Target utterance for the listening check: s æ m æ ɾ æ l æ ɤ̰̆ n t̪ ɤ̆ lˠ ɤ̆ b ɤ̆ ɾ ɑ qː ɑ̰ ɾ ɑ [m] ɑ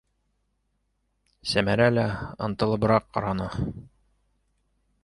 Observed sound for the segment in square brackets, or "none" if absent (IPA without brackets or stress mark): n